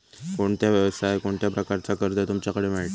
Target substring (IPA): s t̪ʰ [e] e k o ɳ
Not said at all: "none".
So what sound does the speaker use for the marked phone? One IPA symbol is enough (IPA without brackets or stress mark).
a